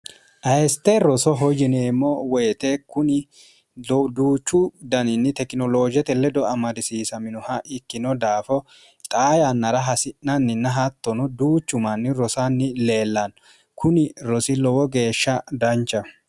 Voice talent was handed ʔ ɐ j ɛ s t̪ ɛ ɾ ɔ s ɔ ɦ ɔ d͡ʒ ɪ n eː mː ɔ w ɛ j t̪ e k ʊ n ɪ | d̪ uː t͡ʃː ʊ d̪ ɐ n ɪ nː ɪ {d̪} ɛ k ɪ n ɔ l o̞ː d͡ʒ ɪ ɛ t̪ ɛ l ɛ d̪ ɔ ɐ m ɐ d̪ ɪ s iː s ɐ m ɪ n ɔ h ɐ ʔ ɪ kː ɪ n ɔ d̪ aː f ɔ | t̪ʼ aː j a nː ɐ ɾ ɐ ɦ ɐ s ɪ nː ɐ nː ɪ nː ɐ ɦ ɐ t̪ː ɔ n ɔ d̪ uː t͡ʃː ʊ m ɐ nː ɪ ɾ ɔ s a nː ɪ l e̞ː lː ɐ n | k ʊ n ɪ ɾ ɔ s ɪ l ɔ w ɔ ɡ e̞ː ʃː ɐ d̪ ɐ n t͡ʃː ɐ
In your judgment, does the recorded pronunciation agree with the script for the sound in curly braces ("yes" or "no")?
no